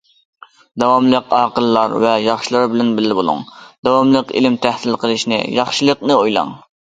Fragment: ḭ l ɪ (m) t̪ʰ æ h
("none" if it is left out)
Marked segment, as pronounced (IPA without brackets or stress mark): m